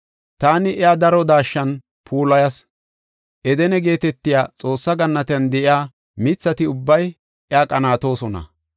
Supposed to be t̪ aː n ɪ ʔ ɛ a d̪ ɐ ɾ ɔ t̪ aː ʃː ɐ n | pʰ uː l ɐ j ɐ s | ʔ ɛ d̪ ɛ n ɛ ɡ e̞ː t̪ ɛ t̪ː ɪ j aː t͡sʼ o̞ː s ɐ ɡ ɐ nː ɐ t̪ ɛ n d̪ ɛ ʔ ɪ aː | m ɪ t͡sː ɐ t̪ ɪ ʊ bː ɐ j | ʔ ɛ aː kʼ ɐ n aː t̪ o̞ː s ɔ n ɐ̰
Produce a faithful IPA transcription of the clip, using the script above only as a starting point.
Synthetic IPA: t̪ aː n ɪ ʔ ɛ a d̪ ɐ ɾ ɔ d̪ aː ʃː ɐ n | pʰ uː l ɐ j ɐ s | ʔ ɛ d̪ ɛ n ɛ ɡ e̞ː t̪ ɛ t̪ː ɪ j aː t͡sʼ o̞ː sː ɐ ɡ ɐ nː ɐ t̪ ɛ n d̪ ɛ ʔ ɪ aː | m ɪ t͡sː ɐ t̪ ɪ ʊ bː ɐ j | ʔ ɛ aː kʼ ɐ n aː t̪ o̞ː s ɔ n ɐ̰